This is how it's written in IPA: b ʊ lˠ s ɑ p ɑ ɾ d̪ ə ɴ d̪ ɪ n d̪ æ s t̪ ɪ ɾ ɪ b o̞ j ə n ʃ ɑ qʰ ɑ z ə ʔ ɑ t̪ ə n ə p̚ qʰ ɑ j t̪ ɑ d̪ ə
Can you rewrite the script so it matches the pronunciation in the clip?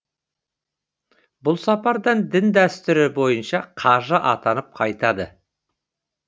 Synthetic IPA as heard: b ʊ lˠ s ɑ p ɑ ɾ d̪ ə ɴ d̪ ɪ n d̪ æ s t̪ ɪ ɾ ɪ b o̞ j ə n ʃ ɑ qʰ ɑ ʒ ə ʔ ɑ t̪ ɑ n ə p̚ qʰ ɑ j t̪ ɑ d̪ ə